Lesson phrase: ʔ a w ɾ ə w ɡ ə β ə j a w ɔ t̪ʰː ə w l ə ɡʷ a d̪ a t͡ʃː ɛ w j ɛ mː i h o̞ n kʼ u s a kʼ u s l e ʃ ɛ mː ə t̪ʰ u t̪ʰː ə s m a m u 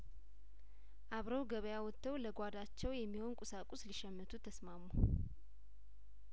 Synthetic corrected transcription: ʔ a β ɾ ə w ɡ ə β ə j a w ɔ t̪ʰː ə w l ə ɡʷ a d̪ a t͡ʃː ɛ w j ɛ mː i h o̞ n kʼ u s a kʼ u s l i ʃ ɛ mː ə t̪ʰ u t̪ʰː ə s m a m u